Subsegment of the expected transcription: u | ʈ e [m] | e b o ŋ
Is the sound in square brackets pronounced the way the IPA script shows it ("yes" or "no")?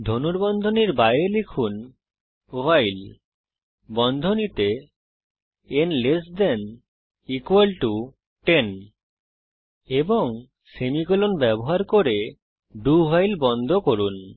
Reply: no